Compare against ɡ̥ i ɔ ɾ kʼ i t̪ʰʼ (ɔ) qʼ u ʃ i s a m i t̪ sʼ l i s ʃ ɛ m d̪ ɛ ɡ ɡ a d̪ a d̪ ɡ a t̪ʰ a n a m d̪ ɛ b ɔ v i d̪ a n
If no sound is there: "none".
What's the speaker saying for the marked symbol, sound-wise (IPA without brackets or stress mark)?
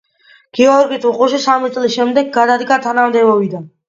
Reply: u